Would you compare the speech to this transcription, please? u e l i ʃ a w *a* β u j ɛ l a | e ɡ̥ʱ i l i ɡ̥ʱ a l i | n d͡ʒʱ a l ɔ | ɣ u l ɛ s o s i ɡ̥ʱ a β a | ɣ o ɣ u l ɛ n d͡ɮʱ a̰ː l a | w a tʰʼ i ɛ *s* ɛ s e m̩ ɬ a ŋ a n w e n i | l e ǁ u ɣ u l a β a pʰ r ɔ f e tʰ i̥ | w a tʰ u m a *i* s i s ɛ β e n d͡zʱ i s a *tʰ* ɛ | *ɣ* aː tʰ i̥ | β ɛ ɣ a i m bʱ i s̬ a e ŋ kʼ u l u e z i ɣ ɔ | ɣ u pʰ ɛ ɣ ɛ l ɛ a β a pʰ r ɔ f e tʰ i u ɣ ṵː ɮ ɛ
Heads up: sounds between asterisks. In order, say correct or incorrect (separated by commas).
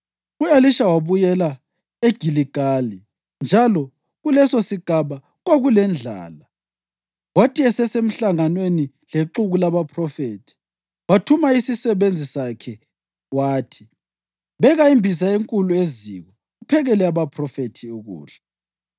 correct, correct, correct, incorrect, incorrect